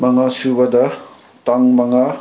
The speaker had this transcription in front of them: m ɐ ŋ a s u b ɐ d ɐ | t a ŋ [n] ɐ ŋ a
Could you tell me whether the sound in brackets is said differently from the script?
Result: yes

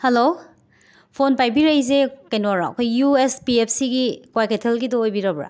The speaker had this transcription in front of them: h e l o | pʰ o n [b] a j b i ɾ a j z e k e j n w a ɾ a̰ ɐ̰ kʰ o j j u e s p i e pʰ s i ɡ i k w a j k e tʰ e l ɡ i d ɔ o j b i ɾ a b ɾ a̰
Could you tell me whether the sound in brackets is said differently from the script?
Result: yes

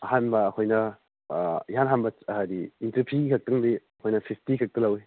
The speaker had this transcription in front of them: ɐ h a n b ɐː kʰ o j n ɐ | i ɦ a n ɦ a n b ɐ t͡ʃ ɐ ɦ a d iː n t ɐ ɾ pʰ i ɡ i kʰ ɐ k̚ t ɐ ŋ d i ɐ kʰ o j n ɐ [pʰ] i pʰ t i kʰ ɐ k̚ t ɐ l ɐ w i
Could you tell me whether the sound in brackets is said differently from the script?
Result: no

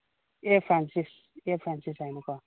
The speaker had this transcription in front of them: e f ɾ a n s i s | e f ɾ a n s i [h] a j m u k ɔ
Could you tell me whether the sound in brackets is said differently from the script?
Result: yes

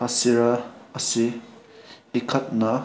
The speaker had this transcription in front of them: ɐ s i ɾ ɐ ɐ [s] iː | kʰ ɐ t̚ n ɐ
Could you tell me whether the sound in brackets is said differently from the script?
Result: no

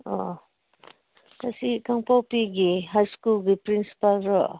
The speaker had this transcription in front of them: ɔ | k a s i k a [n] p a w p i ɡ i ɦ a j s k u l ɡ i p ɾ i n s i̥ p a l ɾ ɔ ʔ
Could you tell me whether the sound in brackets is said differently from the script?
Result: yes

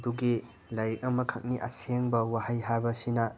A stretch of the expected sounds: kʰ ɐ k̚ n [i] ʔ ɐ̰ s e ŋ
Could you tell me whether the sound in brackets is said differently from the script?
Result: no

